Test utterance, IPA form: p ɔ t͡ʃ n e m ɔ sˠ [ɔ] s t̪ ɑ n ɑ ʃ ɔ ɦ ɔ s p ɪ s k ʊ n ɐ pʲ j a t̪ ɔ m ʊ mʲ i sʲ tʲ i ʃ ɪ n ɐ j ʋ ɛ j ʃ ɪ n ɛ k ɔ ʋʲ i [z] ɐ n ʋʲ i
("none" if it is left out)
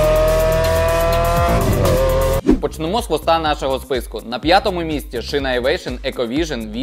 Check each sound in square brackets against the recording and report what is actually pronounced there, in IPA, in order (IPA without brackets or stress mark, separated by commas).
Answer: ɔ, ʒ